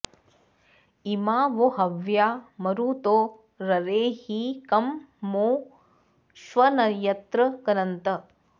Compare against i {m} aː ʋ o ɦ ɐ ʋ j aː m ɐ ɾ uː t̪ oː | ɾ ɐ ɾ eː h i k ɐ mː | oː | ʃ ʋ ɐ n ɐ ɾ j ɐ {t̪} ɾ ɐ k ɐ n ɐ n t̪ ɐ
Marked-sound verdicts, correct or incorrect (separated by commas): correct, correct